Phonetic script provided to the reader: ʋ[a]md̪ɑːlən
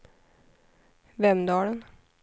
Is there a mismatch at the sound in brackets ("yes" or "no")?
yes